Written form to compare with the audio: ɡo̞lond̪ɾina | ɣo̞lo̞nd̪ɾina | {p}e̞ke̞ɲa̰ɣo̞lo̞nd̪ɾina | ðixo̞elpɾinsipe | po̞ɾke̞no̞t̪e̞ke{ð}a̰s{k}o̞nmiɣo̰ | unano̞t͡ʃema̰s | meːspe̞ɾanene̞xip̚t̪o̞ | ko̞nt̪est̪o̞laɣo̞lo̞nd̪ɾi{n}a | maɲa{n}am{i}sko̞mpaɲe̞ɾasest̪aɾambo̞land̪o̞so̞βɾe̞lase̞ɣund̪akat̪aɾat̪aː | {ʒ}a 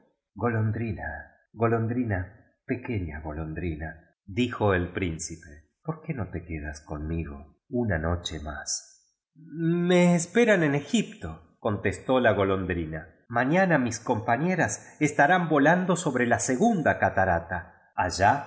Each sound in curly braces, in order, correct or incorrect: correct, correct, correct, correct, correct, correct, correct

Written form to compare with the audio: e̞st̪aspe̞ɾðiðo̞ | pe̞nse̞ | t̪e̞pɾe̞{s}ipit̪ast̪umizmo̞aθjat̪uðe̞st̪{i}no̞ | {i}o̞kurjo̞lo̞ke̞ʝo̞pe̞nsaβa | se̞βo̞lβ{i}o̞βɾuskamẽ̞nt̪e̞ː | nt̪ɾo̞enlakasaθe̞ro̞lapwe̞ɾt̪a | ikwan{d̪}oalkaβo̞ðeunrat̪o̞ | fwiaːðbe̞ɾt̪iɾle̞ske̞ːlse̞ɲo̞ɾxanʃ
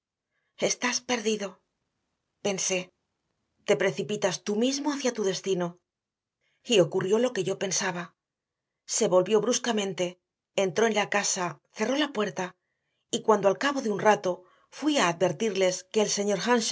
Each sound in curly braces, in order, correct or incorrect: incorrect: θ, correct, correct, incorrect: j, correct

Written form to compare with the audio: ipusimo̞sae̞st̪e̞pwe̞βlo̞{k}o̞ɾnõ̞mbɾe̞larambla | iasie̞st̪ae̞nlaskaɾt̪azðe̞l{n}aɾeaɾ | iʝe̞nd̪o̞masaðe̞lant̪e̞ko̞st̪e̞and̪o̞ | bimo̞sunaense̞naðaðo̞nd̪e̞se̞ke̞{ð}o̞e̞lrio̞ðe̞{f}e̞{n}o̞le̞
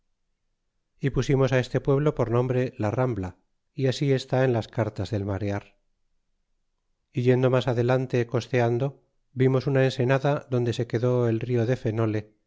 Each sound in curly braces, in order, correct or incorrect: incorrect: p, incorrect: m, correct, correct, correct

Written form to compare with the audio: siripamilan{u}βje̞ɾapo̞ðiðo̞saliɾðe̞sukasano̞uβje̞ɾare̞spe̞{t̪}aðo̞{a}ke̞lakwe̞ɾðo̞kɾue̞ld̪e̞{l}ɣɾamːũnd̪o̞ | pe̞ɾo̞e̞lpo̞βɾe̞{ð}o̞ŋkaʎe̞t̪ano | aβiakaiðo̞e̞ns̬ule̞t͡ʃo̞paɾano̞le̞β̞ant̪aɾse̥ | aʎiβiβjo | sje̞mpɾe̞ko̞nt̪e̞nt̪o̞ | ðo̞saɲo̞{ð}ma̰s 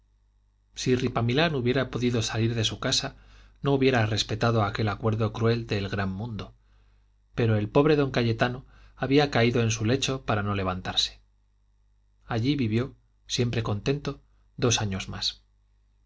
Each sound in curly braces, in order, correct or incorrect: correct, correct, correct, correct, correct, incorrect: z

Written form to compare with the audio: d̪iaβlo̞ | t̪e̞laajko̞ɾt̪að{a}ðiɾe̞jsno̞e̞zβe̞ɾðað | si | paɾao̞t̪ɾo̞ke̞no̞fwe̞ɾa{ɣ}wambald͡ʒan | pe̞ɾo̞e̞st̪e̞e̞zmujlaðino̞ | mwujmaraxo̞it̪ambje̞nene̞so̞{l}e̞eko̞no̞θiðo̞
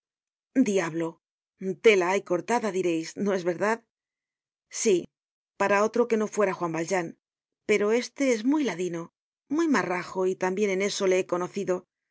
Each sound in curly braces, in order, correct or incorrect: correct, incorrect: x, correct

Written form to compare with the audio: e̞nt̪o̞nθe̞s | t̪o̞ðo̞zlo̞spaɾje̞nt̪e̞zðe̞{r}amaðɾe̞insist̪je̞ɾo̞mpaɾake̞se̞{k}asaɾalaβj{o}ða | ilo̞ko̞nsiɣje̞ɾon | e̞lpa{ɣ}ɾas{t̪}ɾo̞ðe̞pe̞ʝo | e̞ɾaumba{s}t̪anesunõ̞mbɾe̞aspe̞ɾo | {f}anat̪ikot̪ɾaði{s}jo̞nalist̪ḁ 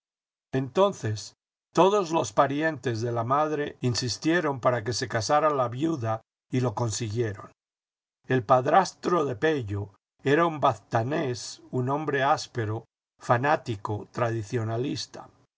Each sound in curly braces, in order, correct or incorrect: incorrect: l, correct, incorrect: u, incorrect: ð, correct, incorrect: θ, correct, incorrect: θ

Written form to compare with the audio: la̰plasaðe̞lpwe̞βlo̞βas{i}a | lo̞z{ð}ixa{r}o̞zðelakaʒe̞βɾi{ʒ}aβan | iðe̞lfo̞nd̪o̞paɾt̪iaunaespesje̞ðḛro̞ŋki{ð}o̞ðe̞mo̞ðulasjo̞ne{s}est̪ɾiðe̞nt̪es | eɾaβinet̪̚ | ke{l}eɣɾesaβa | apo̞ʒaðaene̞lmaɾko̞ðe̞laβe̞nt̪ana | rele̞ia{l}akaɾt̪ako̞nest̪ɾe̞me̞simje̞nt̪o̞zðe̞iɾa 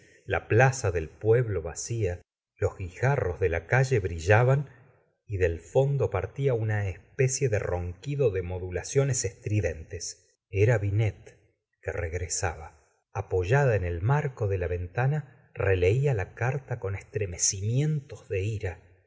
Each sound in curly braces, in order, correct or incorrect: correct, incorrect: ɣ, correct, correct, correct, correct, incorrect: r, correct

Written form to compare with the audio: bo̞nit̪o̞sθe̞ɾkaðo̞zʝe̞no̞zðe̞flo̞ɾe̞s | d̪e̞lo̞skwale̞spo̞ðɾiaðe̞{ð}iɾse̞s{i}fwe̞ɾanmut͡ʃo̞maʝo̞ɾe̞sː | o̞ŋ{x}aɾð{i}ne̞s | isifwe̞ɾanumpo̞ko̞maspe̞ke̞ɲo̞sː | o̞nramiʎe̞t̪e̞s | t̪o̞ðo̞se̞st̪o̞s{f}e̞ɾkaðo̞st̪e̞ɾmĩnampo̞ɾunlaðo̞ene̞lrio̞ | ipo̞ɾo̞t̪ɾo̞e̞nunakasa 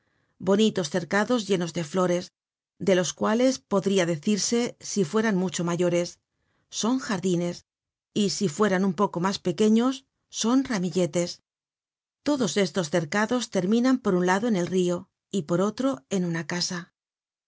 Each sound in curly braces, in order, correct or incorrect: incorrect: θ, correct, correct, correct, incorrect: θ

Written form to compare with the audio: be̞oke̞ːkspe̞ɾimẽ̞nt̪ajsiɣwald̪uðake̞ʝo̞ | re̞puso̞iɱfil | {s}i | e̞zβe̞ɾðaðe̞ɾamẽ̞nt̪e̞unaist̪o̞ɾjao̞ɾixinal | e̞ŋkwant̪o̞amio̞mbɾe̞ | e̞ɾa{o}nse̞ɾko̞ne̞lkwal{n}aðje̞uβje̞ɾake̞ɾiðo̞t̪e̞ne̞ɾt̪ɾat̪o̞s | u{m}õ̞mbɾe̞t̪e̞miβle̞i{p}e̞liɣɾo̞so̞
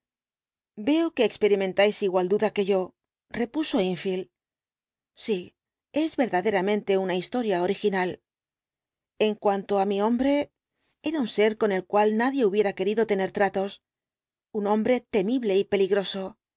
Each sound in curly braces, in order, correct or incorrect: correct, incorrect: u, correct, incorrect: n, correct

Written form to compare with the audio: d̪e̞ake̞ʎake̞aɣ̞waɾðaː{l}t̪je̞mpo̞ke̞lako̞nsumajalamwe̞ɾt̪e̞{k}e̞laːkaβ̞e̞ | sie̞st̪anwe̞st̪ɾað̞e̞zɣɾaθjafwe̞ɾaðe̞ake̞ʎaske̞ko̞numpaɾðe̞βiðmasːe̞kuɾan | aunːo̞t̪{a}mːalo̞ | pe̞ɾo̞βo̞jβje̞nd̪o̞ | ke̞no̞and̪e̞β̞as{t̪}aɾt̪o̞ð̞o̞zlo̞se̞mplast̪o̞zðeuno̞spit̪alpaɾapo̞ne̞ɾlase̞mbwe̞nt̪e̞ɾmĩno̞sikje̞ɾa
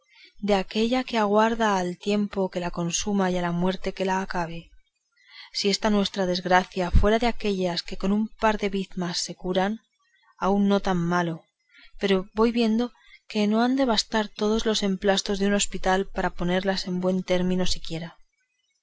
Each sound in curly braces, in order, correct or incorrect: correct, correct, correct, correct

